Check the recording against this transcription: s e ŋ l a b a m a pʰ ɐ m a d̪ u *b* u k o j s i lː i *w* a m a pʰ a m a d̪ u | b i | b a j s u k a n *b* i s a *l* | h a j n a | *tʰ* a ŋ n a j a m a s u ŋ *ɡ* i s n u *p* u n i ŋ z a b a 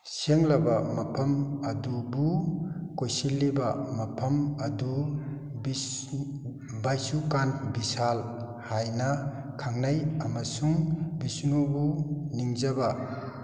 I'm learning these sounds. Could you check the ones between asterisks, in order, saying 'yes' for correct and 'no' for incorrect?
yes, no, yes, yes, no, no, no

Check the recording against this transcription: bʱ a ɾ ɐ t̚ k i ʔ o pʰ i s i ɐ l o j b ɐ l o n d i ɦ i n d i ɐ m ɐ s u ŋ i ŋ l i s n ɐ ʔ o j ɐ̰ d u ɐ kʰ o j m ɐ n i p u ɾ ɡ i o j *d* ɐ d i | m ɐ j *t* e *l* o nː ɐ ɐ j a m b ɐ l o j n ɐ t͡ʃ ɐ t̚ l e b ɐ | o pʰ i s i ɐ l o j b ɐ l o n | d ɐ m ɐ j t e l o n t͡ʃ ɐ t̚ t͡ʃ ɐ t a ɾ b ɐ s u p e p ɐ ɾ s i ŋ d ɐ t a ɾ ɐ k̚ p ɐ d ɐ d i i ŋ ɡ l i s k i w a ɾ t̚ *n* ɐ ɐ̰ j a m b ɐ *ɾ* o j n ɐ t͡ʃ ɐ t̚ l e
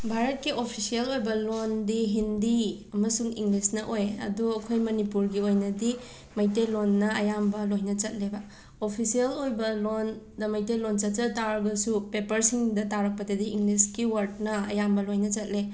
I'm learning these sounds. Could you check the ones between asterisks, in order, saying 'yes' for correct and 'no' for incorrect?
no, yes, yes, yes, no

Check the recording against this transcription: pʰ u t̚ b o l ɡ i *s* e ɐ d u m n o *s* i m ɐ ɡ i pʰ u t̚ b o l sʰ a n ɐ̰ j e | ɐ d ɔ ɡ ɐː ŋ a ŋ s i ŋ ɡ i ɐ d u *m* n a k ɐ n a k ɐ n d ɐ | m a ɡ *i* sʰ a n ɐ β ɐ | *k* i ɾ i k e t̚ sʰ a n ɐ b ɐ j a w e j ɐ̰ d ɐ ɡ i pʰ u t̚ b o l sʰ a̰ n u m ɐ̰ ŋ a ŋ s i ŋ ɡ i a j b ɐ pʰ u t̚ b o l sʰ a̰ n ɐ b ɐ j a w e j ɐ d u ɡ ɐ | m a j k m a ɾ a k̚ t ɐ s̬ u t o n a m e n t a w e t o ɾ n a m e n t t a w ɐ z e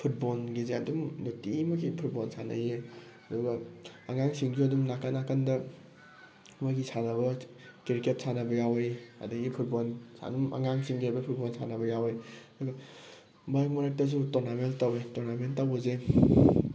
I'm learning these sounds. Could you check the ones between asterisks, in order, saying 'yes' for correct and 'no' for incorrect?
no, no, yes, yes, yes

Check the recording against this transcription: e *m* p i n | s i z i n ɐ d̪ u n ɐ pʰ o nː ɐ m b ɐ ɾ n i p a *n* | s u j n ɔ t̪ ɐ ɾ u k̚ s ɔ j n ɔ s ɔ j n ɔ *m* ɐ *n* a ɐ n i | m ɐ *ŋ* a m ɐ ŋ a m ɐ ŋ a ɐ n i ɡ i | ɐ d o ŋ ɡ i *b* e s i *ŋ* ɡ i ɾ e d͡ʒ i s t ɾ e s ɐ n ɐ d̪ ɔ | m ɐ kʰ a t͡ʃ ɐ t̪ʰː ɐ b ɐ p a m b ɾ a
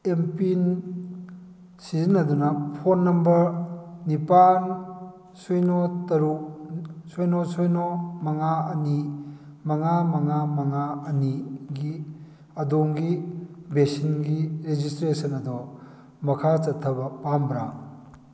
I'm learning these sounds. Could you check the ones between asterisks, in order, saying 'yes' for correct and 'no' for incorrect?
yes, yes, yes, no, yes, yes, no

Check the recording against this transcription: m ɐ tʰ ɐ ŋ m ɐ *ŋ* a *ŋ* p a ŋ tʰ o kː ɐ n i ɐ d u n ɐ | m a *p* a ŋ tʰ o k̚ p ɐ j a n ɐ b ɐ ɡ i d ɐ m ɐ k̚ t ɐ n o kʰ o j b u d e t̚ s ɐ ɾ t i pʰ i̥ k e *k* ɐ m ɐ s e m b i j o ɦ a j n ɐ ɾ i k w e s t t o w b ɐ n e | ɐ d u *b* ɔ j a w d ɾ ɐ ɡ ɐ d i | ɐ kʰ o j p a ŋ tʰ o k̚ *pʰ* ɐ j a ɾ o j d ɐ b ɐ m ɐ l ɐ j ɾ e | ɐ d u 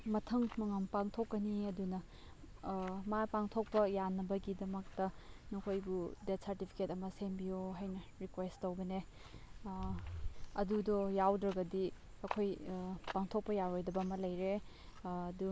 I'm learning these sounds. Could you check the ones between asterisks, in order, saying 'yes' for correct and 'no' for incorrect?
yes, no, yes, no, no, no

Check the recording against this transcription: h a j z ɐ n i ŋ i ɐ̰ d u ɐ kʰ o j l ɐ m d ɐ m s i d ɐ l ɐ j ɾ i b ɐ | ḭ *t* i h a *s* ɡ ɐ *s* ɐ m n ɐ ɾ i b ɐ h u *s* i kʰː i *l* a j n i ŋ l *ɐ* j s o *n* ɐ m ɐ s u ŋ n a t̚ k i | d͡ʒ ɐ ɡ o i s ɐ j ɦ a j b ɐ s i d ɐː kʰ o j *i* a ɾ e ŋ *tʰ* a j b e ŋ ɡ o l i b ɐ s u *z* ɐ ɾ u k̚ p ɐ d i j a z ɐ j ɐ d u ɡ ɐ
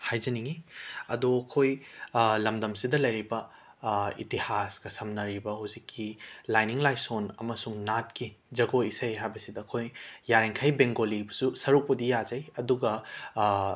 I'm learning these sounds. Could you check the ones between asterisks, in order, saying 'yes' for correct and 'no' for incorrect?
yes, yes, yes, no, yes, no, yes, no, no, no

